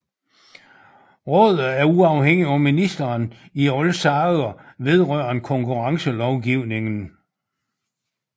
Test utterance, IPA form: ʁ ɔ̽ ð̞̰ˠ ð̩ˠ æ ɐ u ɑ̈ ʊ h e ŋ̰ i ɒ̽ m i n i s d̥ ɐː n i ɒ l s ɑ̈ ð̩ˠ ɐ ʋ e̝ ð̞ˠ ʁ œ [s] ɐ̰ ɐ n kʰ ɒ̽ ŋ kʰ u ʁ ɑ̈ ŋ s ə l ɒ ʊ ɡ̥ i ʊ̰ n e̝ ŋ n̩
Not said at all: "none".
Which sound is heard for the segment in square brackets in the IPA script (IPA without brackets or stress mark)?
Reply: none